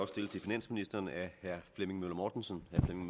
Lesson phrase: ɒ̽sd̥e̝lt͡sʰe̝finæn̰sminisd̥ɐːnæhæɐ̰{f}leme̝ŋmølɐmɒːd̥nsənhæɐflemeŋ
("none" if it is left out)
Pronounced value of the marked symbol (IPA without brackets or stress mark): f